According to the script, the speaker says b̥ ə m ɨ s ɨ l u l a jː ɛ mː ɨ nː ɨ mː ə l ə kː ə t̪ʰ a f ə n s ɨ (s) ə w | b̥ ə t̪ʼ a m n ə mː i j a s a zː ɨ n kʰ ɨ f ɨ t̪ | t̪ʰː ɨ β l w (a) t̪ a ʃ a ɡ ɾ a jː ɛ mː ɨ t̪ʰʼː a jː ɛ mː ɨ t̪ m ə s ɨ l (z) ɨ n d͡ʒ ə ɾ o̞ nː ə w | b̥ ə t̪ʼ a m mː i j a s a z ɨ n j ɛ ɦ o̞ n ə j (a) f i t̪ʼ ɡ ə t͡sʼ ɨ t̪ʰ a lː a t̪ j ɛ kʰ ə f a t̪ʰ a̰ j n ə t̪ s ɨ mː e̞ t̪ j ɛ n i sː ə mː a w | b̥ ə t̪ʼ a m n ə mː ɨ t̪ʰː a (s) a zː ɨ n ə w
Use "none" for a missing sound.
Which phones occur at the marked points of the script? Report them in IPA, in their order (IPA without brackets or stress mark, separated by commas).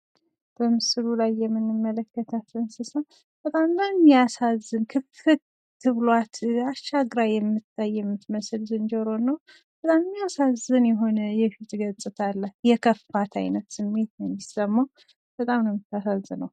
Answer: s, a, z, ɛ, s